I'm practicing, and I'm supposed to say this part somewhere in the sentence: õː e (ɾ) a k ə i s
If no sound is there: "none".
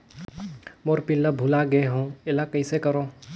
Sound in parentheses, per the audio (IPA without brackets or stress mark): l